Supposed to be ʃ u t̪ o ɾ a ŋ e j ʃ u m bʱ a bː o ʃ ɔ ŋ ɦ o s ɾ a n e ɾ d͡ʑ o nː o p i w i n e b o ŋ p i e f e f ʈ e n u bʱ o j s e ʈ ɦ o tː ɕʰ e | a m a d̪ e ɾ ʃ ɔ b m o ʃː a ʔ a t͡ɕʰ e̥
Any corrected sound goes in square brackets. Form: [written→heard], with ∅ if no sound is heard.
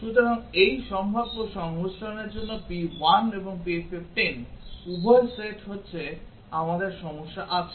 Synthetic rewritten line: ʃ u t̪ o ɾ a ŋ e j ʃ [u→ɔ] m bʱ a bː o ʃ ɔ ŋ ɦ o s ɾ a n e ɾ d͡ʑ o nː o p i w [i→a] n e b o ŋ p i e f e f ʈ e n u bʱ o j s e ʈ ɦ o tː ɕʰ e | a m a d̪ e ɾ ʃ ɔ [b→∅] m o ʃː a ʔ a t͡ɕʰ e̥